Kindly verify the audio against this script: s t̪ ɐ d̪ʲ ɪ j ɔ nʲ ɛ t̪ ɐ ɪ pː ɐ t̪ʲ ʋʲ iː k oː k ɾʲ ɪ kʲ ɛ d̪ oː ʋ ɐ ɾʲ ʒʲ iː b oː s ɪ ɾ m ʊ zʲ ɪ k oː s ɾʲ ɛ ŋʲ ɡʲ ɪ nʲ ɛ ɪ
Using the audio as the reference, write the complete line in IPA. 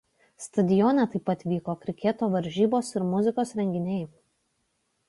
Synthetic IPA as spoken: s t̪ ɐ d̪ʲ ɪ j ɔ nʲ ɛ t̪ ɐ ɪ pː ɐ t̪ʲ ʋʲ iː k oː k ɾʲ ɪ kʲ ɛ t̪ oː ʋ ɐ ɾʲ ʒʲ iː b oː s ɪ ɾ m ʊ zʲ ɪ k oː s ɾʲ ɛ ŋʲ ɡʲ ɪ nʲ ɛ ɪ